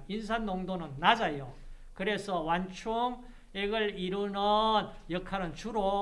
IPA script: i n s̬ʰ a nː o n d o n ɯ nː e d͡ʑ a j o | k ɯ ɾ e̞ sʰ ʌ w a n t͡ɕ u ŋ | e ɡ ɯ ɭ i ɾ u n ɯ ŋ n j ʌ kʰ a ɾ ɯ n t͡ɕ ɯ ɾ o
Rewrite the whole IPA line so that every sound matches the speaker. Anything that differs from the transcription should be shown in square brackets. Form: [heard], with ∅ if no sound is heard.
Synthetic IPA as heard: i n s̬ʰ a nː o [ŋ] d o n ɯ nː [a] d͡ʑ a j o | k ɯ ɾ e̞ sʰ ʌ w a n [t͡ɕʰ] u ŋ | e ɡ ɯ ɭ i ɾ u n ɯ [∅] n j ʌ kʰ a ɾ ɯ n t͡ɕ [u] ɾ o